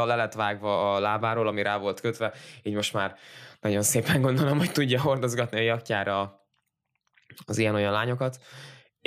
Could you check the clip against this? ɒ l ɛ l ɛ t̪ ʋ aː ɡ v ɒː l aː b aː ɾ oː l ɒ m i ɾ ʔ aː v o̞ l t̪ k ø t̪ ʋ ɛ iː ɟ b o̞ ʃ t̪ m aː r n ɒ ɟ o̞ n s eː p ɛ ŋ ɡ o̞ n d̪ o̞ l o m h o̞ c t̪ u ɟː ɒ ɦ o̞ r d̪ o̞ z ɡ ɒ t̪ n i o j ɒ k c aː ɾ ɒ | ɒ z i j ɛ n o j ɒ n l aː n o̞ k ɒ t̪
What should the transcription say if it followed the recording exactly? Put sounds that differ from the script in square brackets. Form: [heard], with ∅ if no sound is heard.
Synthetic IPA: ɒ l ɛ l ɛ t̪ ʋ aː ɡ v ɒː l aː b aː ɾ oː l ɒ m i ɾ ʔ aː v o̞ l t̪ k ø t̪ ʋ ɛ iː ɟ [m] o̞ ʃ t̪ m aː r n ɒ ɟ o̞ n s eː p ɛ ŋ ɡ o̞ n d̪ o̞ l o m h o̞ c t̪ u ɟː ɒ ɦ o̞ r d̪ o̞ z ɡ ɒ t̪ n i [ɒ] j ɒ k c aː ɾ ɒ | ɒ z i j ɛ n o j ɒ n l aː [ɲ] o̞ k ɒ t̪